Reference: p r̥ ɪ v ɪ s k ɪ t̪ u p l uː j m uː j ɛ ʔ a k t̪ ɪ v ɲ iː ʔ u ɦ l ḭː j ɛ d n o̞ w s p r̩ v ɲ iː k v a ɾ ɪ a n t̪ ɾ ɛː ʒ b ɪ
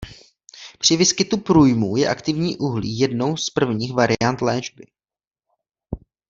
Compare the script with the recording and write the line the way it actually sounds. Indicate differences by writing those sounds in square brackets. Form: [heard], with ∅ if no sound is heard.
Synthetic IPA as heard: p r̥ ɪ v ɪ s k ɪ t̪ u p [ɾ] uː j m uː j ɛ ʔ a k t̪ ɪ v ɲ iː ʔ u ɦ l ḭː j ɛ d n o̞ w s p r̩ v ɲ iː [x] v a ɾ ɪ a n t̪ [l] ɛː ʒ b ɪ